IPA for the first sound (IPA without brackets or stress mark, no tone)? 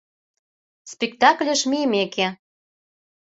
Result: s